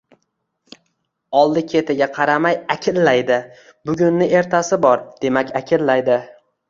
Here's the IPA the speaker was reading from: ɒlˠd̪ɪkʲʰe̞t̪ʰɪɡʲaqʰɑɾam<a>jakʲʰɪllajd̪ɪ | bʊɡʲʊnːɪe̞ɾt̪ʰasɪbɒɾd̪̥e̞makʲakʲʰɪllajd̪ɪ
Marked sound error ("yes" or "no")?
no